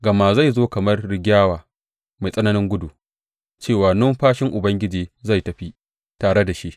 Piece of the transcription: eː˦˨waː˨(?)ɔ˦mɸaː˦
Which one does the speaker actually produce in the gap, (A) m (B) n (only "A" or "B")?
B